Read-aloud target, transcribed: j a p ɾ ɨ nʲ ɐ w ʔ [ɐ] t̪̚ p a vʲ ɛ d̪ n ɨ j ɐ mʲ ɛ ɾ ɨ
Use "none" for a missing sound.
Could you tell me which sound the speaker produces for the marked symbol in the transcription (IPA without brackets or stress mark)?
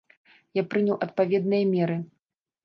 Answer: ɐ